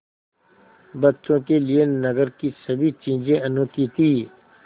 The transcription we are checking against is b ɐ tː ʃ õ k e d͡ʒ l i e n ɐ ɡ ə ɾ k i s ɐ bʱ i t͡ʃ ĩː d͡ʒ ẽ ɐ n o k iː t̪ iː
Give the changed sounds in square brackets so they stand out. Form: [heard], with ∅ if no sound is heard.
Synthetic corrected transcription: b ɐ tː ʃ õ k e [∅] l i e n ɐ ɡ ə ɾ k i s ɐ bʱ i t͡ʃ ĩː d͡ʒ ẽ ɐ n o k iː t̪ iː